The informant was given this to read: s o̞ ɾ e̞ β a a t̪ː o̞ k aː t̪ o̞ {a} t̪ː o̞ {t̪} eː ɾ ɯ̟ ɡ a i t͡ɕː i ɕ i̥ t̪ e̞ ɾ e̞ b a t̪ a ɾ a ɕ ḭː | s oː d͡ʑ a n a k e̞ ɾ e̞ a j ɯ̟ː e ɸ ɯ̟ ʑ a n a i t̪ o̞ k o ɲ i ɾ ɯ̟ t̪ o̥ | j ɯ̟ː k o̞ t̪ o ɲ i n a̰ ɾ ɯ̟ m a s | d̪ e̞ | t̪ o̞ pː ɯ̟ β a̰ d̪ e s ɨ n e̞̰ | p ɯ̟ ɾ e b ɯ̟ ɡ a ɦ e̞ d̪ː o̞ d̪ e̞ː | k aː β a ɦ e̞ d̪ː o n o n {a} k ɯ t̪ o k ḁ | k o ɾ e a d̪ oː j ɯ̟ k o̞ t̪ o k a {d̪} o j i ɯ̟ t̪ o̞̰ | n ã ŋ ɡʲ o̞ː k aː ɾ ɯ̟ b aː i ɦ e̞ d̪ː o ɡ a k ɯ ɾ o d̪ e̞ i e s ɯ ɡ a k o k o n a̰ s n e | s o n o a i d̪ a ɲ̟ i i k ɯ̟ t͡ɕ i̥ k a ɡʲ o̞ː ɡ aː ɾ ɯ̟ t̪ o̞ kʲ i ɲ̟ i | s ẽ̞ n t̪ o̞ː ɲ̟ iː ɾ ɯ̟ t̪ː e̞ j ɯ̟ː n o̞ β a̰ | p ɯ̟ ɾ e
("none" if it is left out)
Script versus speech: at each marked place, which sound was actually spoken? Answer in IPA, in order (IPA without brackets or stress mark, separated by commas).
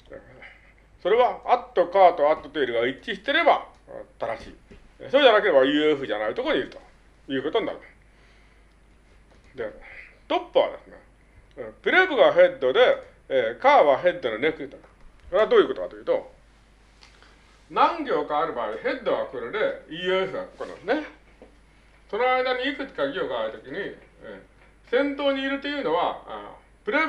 a, t̪, e, t̪